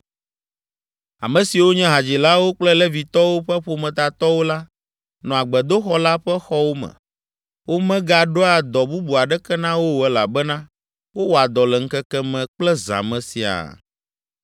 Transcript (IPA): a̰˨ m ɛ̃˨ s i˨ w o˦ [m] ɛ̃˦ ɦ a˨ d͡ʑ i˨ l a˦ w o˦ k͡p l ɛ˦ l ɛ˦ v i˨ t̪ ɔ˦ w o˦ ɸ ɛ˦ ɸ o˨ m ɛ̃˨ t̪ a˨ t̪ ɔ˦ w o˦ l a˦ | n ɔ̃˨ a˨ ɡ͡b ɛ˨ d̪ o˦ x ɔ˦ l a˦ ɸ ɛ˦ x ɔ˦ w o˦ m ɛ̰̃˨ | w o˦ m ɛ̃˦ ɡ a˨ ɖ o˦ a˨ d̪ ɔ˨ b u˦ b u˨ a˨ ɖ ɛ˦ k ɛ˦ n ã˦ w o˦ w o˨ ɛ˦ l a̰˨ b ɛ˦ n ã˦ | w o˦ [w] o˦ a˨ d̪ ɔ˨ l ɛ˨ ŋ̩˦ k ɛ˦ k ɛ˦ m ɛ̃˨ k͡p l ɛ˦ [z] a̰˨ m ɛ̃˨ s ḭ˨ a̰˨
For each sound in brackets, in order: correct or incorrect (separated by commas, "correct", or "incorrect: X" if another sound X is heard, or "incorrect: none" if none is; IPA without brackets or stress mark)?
incorrect: ɲ, correct, correct